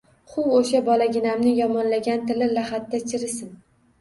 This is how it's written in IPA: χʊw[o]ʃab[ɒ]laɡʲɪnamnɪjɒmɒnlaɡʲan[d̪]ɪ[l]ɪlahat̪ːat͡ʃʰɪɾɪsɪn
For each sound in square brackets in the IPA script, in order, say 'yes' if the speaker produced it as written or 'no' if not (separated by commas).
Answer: yes, yes, no, yes